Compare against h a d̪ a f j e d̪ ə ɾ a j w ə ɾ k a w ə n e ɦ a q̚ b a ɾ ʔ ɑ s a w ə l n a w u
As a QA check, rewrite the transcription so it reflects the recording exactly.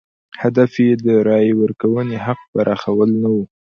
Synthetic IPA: h a d̪ a f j e d̪ ə ɾ ɑ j w ə ɾ k a w ə n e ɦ a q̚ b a ɾ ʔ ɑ x a w ə l n a w u